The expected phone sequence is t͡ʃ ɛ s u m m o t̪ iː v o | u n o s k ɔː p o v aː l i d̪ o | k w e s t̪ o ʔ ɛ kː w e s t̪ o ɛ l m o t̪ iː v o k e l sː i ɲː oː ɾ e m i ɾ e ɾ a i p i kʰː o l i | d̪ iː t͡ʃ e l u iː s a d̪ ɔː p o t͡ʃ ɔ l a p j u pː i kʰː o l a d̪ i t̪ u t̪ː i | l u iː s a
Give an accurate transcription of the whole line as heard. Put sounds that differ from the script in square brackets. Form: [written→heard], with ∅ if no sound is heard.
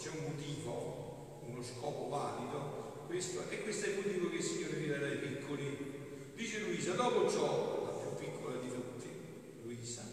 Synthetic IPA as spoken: t͡ʃ ɛ [s→∅] u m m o t̪ iː v o | u n o s k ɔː p o v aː l i d̪ o | k w e s t̪ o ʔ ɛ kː w e s t̪ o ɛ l m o t̪ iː v o k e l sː i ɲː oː ɾ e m i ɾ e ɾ a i p i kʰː o l i | d̪ iː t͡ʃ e l u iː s a d̪ ɔː p o t͡ʃ ɔ l a p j u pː i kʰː o l a d̪ i t̪ u t̪ː i | l u iː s a